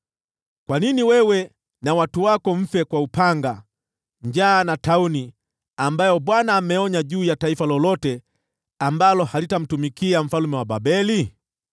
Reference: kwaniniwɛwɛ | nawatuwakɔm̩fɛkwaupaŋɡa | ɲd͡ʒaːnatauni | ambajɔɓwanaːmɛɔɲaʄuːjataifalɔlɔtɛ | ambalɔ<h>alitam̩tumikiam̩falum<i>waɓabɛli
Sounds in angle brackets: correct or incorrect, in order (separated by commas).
correct, incorrect